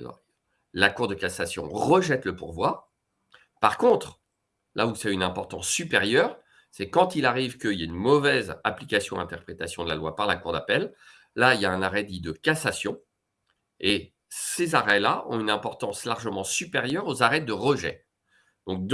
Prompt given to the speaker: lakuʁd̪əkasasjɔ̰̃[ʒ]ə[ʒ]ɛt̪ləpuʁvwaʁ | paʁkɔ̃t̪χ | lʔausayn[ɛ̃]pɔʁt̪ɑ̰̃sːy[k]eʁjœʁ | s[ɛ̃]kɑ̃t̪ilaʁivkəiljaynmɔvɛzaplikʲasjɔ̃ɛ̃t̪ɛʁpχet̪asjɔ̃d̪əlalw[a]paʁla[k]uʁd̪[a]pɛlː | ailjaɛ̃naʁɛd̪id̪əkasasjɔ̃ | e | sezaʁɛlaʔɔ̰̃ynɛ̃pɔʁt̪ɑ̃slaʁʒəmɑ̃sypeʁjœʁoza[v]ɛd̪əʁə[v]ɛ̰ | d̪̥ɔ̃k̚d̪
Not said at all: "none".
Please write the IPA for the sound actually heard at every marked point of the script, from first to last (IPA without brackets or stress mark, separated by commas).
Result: ʁ, ʒ, ɛ̃, p, ɛ, a, k, a, ʁ, ʒ